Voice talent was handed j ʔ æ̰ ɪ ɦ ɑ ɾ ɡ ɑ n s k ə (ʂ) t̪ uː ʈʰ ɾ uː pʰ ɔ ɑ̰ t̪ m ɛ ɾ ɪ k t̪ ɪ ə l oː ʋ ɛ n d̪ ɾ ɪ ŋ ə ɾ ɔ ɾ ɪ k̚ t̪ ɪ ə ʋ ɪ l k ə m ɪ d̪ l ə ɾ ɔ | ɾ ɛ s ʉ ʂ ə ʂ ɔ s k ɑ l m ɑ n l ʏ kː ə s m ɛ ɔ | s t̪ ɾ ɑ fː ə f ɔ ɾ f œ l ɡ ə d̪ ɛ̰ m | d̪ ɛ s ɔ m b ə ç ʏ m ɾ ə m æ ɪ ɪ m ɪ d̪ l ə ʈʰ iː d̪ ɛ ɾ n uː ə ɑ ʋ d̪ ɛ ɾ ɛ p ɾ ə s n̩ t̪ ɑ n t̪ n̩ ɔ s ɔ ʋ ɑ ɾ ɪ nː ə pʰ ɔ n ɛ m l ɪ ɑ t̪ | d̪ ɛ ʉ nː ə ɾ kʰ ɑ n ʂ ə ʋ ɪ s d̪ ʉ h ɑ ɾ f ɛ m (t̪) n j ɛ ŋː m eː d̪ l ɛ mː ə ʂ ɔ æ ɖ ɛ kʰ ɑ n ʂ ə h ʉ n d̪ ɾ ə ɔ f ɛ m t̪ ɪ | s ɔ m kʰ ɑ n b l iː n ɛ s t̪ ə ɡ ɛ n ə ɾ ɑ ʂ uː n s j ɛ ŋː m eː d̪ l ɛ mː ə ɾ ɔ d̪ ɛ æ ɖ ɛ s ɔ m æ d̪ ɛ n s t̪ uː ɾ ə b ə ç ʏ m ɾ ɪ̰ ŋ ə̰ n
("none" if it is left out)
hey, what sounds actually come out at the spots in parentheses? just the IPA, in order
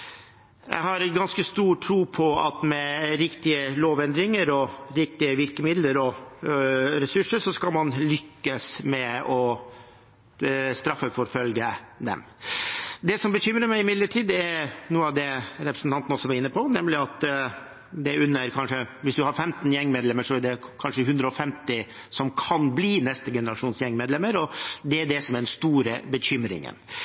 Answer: s, t̪

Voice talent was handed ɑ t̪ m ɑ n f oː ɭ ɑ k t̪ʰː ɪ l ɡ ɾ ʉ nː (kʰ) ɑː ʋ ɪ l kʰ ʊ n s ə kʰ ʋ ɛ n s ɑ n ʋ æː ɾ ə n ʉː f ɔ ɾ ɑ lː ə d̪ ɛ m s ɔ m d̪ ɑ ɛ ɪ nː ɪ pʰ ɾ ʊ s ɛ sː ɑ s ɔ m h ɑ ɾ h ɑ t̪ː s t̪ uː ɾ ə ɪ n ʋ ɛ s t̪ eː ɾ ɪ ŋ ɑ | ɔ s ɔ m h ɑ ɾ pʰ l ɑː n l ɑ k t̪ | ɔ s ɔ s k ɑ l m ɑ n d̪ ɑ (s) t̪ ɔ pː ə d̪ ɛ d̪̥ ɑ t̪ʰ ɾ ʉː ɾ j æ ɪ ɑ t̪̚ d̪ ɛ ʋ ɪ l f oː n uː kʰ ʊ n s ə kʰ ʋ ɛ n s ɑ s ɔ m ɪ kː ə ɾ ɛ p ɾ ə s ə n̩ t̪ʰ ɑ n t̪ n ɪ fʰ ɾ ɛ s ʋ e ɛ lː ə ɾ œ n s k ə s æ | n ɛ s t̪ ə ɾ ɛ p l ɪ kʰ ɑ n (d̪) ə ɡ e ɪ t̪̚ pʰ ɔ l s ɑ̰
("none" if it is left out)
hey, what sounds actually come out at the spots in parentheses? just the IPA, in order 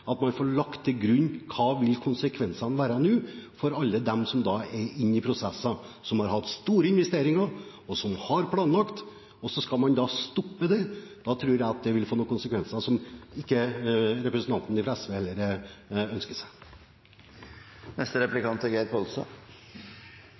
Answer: kʰ, s, t̪

